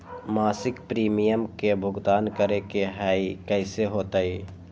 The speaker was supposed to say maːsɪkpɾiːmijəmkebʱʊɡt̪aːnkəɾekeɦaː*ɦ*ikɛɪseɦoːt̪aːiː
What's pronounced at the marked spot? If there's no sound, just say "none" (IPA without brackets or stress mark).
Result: none